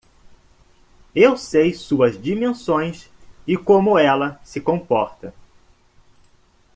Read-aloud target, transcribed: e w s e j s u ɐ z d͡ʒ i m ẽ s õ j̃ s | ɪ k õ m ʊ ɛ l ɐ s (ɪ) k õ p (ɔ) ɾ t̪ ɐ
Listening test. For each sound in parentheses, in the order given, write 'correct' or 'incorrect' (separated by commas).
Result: correct, correct